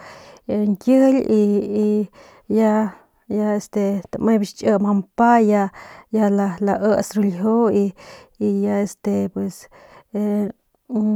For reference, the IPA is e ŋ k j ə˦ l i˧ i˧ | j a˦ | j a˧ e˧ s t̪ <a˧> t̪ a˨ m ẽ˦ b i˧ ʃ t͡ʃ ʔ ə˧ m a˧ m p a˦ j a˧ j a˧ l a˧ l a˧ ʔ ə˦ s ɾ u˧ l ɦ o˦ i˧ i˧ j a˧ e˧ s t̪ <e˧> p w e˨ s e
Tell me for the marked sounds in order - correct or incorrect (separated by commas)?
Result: incorrect, correct